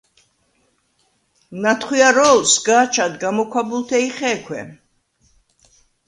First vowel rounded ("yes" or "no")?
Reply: no